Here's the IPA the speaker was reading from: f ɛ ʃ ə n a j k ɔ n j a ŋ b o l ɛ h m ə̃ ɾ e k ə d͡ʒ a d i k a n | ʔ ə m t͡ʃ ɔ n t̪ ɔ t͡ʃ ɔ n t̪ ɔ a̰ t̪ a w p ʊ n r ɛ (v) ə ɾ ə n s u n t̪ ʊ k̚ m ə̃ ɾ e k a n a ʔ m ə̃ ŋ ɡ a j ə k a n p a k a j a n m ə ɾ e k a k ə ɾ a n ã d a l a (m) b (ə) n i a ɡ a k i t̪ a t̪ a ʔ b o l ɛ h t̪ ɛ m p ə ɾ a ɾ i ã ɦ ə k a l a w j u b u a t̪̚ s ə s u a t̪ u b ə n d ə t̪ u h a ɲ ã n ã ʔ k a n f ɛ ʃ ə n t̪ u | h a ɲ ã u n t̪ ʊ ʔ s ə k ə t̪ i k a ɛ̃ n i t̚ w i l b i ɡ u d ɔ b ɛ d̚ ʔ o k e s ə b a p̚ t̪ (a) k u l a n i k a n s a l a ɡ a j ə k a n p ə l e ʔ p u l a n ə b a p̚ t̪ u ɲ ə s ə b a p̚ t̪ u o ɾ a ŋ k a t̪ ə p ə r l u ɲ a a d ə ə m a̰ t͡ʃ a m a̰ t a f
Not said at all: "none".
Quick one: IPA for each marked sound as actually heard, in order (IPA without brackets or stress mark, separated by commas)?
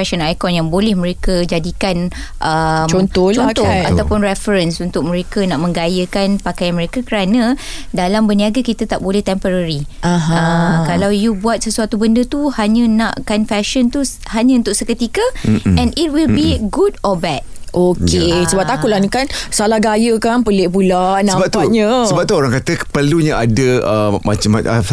f, m, ə, a